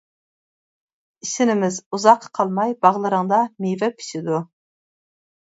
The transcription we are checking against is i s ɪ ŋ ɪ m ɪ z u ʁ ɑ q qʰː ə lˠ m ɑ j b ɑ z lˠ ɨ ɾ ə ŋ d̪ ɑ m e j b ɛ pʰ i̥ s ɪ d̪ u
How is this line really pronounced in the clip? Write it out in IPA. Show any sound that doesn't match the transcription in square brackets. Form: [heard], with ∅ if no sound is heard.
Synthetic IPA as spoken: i s ɪ [n] ɪ m ɪ z u [z] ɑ q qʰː [ɑ] lˠ m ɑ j b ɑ [ʁ] lˠ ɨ ɾ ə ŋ d̪ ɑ m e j [v] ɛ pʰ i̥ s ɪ d̪ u